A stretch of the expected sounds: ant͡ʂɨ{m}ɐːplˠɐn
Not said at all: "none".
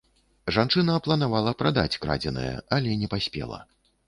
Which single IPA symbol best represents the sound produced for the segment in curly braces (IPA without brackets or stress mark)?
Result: n